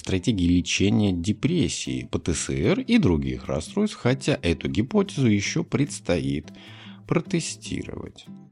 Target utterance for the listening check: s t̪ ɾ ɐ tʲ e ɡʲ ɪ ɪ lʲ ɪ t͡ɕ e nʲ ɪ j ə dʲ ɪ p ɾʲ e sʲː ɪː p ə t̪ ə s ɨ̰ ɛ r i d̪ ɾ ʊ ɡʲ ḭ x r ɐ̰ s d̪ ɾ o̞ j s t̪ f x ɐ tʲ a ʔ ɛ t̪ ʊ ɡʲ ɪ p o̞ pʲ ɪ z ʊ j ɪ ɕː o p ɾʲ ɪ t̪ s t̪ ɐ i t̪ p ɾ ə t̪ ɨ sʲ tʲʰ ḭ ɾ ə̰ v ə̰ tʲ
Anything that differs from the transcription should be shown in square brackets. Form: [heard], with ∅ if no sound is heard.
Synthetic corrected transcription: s t̪ ɾ ɐ tʲ e ɡʲ ɪ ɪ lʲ ɪ t͡ɕ e nʲ ɪ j ə dʲ ɪ p ɾʲ e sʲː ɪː p ə t̪ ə s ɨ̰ ɛ r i d̪ ɾ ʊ ɡʲ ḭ x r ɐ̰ s [t̪] ɾ o̞ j s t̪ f x ɐ tʲ a ʔ ɛ t̪ ʊ ɡʲ ɪ p o̞ [tʲ] ɪ z ʊ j ɪ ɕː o p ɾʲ ɪ t̪ s t̪ ɐ i t̪ p ɾ ə t̪ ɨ sʲ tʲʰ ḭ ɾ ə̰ v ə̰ tʲ